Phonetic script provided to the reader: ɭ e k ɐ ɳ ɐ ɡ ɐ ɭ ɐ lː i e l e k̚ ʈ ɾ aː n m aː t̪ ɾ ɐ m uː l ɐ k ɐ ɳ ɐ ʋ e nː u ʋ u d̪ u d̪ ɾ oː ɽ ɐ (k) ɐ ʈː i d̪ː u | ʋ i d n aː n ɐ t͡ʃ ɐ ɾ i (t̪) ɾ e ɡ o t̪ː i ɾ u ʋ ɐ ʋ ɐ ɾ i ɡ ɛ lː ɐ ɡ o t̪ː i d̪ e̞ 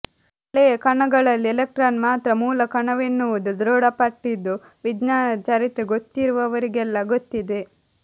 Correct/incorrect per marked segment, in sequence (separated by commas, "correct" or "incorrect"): incorrect, correct